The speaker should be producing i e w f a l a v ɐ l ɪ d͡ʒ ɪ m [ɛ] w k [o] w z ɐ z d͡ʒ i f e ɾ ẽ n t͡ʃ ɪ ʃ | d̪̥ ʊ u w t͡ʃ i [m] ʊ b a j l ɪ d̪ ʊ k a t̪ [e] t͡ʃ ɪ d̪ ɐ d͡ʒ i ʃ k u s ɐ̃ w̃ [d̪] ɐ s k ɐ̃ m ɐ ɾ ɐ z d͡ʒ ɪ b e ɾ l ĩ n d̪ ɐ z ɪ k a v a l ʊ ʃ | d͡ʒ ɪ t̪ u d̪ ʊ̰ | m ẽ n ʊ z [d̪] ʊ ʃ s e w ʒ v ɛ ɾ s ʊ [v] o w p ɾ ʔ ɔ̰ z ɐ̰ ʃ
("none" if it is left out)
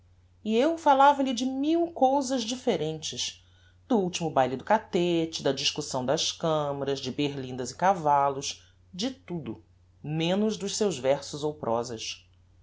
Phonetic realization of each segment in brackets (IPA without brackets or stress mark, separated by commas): i, o, m, e, d̪, d̪, z